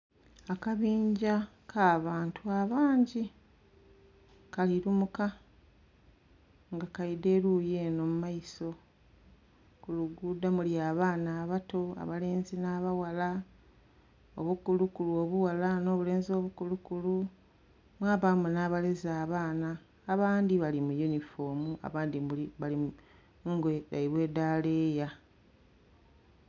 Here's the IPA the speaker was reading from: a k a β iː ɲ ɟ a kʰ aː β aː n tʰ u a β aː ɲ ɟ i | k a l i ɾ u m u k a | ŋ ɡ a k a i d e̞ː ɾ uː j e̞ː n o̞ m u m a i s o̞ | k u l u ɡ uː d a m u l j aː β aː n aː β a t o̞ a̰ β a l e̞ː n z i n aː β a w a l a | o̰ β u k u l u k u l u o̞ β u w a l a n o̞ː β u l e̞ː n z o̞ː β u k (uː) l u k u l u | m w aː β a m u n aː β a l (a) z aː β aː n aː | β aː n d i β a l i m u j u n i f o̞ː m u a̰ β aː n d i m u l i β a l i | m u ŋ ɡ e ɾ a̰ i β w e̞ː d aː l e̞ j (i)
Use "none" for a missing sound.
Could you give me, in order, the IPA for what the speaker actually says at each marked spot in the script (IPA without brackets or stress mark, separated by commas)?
u, e, a